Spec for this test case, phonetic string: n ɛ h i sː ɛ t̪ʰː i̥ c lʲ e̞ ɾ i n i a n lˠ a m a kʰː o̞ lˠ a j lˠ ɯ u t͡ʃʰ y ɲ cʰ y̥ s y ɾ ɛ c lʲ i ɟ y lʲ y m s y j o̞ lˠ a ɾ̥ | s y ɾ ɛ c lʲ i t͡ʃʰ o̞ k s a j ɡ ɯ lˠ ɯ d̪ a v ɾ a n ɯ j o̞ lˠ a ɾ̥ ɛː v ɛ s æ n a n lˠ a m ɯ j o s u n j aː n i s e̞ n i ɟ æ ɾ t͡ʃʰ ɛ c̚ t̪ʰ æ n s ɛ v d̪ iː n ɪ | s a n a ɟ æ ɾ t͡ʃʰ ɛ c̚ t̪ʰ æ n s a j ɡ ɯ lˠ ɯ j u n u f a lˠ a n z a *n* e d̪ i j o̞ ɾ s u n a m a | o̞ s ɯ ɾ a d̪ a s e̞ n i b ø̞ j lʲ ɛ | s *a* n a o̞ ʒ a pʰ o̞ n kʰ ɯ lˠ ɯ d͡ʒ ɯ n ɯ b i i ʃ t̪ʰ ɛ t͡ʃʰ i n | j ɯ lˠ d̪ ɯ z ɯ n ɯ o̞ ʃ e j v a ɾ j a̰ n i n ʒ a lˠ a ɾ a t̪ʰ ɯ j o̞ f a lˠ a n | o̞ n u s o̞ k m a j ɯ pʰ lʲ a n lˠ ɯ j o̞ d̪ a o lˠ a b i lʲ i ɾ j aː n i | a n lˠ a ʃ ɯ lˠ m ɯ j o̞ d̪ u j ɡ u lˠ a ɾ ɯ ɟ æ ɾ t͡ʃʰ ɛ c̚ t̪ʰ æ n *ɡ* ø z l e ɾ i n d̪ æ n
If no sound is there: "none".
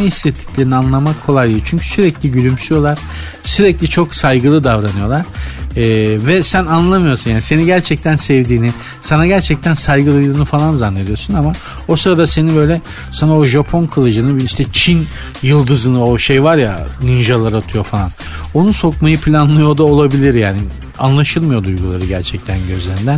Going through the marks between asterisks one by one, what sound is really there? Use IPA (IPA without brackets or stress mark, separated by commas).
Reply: nː, a, ɟ